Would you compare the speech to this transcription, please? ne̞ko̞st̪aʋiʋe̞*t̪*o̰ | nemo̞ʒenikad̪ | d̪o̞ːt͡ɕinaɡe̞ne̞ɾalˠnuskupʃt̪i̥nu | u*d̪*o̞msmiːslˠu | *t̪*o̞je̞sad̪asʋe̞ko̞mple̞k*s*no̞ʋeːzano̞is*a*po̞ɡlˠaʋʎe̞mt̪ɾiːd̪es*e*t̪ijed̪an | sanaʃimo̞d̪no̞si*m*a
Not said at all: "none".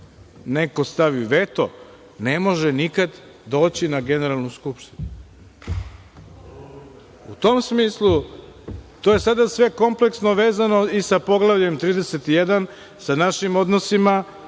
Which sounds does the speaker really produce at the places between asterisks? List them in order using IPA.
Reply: t̪, t̪, t̪, s, a, e, m

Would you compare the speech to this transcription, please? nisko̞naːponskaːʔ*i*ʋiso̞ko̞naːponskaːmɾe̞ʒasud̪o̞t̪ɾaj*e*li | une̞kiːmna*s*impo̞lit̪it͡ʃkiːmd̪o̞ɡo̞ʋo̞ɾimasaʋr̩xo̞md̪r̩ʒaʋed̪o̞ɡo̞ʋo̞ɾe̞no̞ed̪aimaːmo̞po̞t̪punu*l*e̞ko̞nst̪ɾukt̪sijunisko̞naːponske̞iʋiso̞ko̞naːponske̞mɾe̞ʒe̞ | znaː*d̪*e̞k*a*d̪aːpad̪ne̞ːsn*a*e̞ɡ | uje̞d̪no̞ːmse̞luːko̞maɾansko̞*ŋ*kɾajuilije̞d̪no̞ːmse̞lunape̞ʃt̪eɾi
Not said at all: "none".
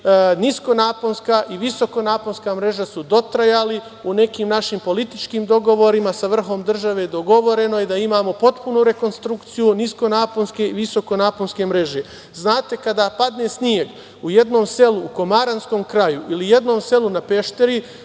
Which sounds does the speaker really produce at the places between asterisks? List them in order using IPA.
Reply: i, a, ʃ, ɾ, t̪, a, i, m

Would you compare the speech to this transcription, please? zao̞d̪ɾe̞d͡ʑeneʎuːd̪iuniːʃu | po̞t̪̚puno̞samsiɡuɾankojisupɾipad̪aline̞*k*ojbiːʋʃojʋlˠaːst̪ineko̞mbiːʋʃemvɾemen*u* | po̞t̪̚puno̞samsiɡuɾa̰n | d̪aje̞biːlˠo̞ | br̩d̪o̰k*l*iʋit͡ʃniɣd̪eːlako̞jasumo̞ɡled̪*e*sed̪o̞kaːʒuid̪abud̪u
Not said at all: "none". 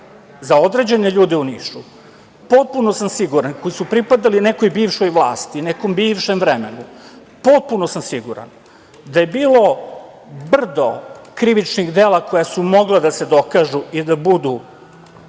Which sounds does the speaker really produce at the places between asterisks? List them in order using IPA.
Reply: k, u, ɾ, a

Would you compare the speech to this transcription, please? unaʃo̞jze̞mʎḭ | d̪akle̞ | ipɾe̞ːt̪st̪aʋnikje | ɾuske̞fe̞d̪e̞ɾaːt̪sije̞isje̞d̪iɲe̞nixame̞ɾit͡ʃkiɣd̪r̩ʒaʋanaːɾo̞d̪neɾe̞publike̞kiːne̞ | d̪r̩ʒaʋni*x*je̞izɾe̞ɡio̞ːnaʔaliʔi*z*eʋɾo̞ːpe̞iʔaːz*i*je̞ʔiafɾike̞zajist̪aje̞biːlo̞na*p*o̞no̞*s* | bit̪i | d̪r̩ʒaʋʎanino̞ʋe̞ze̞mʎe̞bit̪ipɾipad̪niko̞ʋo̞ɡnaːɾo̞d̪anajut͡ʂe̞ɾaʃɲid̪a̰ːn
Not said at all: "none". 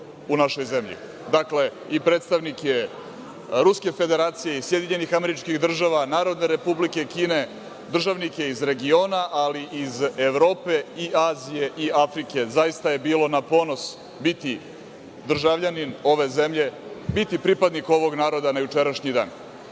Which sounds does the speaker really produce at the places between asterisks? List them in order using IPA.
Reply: k, z, i, p, s

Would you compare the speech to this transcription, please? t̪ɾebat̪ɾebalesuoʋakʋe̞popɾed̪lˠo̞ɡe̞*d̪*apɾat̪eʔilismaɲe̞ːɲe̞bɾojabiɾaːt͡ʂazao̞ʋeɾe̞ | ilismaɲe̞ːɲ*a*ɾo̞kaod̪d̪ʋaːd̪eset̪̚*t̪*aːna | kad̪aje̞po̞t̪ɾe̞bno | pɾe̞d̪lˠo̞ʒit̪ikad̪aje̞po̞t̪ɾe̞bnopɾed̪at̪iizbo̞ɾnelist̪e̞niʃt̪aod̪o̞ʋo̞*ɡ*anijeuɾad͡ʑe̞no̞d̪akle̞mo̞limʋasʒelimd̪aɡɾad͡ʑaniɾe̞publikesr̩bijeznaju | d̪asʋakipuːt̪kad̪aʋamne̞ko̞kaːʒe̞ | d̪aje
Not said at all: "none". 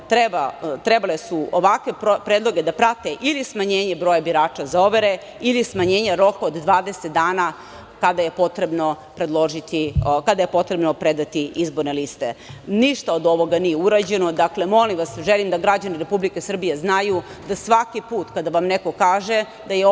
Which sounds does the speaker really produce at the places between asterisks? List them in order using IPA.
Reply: d̪, a, d̪, ɡ

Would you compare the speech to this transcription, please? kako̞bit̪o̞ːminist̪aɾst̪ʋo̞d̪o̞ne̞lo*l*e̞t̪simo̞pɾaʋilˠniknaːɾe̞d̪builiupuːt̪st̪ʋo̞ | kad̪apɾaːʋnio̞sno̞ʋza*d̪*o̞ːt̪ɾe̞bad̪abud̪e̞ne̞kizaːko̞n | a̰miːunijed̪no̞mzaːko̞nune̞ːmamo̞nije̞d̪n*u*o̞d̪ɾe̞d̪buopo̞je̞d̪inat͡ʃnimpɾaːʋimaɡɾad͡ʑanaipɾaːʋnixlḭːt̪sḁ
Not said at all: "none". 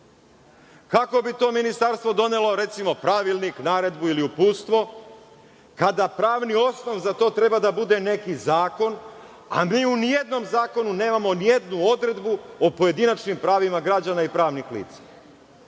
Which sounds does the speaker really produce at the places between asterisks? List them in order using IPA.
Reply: ɾ, t̪, u

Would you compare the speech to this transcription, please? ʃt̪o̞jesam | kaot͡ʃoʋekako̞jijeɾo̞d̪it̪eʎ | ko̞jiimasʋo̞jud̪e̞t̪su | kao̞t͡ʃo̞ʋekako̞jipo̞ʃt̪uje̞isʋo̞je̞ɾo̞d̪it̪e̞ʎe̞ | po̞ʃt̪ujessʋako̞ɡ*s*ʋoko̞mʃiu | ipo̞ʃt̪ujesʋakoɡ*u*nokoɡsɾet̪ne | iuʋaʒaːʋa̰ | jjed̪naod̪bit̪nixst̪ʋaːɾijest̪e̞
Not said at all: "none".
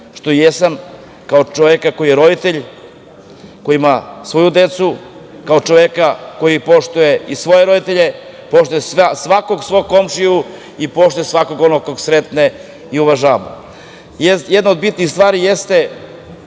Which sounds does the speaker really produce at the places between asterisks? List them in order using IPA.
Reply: s, o

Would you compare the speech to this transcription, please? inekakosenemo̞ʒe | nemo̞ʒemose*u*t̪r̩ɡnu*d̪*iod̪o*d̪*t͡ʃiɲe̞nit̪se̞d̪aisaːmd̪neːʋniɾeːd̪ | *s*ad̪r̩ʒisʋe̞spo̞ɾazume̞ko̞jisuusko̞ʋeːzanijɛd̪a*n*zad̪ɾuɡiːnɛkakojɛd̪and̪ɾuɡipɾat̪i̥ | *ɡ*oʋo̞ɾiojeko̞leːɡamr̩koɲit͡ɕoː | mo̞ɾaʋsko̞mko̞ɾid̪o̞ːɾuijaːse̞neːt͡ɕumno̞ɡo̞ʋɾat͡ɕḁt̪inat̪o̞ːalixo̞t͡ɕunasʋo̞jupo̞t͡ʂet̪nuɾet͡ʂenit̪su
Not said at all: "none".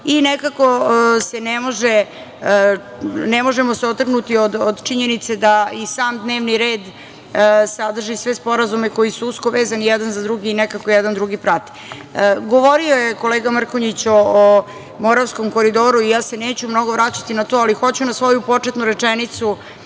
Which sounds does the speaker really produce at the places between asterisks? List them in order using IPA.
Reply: o, t̪, d̪, s, n, ɡ

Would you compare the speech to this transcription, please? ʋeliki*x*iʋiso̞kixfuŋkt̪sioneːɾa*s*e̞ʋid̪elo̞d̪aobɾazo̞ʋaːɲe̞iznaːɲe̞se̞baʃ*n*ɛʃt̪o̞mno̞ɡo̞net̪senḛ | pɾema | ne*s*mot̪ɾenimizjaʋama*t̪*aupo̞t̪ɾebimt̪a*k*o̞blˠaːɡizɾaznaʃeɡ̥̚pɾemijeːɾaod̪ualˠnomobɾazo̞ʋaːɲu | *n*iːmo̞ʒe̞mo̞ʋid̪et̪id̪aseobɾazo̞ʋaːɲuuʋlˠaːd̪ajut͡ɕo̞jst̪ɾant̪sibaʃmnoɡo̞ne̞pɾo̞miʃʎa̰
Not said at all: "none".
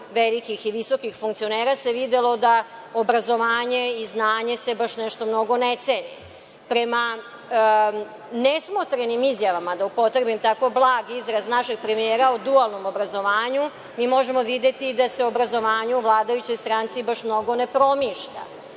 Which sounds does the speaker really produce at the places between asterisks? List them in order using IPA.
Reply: x, s, n, s, d̪, k, m

